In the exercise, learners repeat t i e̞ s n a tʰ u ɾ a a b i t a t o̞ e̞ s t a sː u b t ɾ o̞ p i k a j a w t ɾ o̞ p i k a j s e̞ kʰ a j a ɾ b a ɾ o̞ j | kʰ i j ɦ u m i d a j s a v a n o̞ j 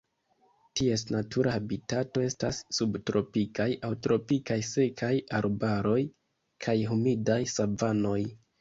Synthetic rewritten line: t i e̞ s n a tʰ u ɾ a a b i t a t o̞ e̞ s t a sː u b t ɾ o̞ p i k a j a w t ɾ o̞ p i k a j s e̞ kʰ a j a ɾ b a ɾ o̞ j | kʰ a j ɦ u m i d a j s a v a n o̞ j